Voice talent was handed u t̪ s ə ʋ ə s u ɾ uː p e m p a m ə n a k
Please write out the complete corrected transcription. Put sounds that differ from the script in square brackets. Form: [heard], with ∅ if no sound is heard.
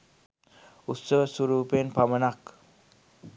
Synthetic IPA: u t̪ s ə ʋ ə s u ɾ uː p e [n] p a m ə n a k

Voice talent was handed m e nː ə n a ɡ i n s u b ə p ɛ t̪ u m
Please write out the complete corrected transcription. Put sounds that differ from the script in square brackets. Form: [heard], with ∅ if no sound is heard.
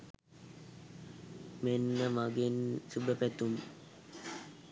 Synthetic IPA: m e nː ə [m] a ɡ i n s u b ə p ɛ t̪ u m

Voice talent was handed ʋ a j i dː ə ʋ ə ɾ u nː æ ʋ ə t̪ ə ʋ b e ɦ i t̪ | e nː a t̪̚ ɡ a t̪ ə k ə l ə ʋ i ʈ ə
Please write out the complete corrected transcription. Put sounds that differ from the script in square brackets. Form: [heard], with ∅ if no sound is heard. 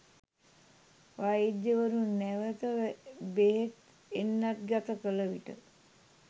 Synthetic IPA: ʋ a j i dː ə ʋ ə ɾ u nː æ ʋ ə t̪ ə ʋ b e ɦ [e] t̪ | e nː a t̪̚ ɡ a t̪ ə k ə l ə ʋ i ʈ ə

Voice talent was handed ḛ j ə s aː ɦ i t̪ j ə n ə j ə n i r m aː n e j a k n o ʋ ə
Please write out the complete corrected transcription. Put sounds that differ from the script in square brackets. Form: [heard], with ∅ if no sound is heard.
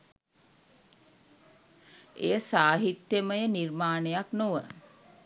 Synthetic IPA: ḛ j ə s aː ɦ i t̪ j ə [m] ə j ə n i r m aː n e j a k n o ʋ ə

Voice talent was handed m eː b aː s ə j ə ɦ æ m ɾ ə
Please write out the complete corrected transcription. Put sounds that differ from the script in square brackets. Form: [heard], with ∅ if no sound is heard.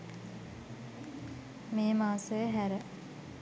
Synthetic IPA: m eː [m] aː s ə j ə ɦ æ [∅] ɾ ə

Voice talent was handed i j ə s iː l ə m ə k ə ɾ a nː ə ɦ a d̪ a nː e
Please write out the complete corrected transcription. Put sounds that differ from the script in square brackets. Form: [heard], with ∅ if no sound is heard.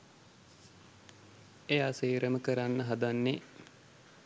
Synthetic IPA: [e] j [a] s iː [ɾ] ə m ə k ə ɾ a nː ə ɦ a d̪ a nː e

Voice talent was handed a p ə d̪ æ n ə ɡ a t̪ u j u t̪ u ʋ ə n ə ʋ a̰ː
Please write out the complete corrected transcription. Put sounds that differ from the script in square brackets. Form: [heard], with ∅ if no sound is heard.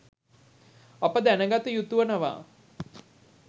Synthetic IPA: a p ə d̪ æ n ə ɡ a t̪ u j u t̪ u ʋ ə n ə ʋ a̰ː

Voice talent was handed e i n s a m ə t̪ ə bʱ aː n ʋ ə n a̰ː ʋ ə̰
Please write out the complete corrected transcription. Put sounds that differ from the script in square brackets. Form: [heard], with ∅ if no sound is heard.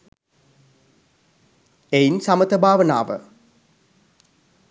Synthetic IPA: e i n s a m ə t̪ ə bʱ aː [∅] ʋ ə n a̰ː ʋ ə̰

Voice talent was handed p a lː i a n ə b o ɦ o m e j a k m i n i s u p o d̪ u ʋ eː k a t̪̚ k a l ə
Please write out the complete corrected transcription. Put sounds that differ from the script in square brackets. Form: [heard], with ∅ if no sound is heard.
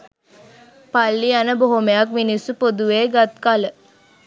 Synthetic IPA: p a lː i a n ə b o ɦ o m e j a k m i n i s u p o d̪ u ʋ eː [ɡ] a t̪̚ k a l ə

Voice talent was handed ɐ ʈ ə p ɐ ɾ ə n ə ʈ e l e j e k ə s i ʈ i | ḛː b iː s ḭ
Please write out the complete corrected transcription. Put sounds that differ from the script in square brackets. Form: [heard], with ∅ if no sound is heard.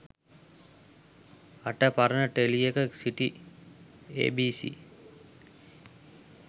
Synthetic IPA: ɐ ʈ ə p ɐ ɾ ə n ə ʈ e l [i] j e k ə s i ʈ i | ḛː b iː s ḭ

